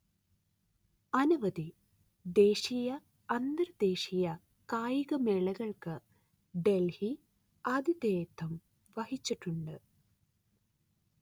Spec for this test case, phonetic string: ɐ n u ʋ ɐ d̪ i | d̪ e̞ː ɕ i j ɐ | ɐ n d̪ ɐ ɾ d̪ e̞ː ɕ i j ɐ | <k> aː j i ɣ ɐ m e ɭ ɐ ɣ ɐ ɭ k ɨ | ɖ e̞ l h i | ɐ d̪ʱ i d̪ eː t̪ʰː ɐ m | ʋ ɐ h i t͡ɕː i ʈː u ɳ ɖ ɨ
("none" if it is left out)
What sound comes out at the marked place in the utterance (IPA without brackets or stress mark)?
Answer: k